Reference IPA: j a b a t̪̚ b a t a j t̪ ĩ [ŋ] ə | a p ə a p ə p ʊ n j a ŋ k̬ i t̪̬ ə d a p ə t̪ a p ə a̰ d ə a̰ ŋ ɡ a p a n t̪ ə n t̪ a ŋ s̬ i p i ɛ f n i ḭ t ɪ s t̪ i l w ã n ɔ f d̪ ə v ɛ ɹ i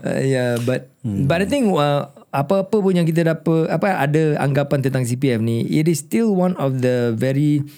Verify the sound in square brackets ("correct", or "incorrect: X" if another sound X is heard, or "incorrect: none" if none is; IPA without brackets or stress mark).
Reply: correct